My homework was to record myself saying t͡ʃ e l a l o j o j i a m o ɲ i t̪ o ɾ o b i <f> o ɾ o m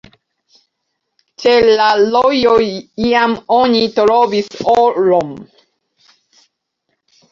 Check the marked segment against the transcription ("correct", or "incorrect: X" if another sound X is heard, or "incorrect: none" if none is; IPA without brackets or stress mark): incorrect: s